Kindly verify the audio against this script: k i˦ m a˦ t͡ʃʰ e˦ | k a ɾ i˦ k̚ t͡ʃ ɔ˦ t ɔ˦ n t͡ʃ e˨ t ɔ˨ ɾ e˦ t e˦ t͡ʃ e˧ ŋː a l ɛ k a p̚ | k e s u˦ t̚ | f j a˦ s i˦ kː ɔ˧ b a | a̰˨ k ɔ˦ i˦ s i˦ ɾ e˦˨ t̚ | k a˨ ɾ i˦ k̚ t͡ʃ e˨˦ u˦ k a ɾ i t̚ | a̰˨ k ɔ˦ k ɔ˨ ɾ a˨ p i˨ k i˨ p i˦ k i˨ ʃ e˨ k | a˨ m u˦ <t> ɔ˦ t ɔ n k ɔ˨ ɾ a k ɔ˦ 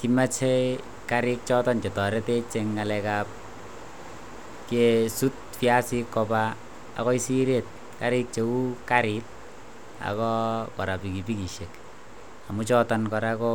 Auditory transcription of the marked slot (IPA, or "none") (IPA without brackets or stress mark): t͡ʃ